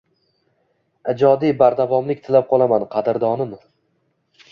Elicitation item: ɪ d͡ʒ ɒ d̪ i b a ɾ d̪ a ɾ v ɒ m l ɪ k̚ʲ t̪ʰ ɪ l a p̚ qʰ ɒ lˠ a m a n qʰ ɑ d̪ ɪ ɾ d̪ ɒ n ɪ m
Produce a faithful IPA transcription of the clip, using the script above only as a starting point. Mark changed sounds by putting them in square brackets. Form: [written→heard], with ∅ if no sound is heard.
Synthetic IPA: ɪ d͡ʒ ɒ d̪ i b a ɾ d̪ a [ɾ→∅] v ɒ m l ɪ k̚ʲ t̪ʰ ɪ l a p̚ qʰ ɒ lˠ a m a n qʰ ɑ d̪ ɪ ɾ d̪ ɒ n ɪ m